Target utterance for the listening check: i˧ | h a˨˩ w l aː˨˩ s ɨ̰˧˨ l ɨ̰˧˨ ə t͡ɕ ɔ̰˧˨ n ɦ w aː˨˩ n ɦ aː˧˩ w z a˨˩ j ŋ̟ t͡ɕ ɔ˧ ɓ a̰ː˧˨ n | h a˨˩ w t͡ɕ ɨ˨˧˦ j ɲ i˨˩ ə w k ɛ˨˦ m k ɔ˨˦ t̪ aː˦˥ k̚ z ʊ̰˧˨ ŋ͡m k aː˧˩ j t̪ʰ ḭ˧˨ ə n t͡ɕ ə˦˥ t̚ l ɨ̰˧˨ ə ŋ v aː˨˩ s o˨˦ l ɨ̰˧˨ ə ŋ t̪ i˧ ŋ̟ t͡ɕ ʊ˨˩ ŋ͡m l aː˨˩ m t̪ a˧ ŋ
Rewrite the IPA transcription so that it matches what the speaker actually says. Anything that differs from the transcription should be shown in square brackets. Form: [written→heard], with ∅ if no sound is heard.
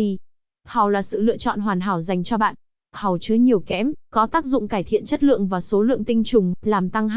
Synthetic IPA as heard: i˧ | h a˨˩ w l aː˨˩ s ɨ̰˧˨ l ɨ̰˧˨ ə t͡ɕ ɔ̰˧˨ n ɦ w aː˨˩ n ɦ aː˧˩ w z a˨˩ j ŋ̟ t͡ɕ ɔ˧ ɓ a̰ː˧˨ n | h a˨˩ w t͡ɕ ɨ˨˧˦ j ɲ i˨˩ ə w k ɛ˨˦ m k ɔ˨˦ t̪ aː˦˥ k̚ z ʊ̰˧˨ ŋ͡m k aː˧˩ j t̪ʰ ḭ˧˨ ə n t͡ɕ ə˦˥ t̚ l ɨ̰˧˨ ə ŋ v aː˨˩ s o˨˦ l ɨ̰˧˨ ə ŋ t̪ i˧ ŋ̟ t͡ɕ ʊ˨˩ ŋ͡m l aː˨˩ m t̪ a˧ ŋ